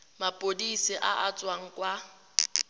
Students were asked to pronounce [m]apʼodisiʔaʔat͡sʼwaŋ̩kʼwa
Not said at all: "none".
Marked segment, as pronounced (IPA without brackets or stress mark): m